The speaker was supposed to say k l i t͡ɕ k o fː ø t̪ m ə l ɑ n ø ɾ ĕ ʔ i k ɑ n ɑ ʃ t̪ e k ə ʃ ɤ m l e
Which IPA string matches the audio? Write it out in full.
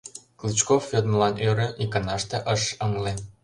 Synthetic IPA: k l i t͡ɕ k o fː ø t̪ m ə l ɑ n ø ɾ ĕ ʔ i k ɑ n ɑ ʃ t̪ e ʔ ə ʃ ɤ ŋ l e